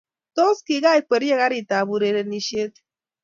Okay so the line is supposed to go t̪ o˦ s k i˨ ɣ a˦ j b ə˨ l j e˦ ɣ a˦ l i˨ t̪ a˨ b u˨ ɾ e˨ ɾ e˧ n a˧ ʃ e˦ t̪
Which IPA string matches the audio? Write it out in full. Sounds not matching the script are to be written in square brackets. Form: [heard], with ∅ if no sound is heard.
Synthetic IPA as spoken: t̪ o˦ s k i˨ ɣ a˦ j [p] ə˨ [ɾ] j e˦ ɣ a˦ [ɾ] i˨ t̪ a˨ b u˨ ɾ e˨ ɾ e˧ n [i˧] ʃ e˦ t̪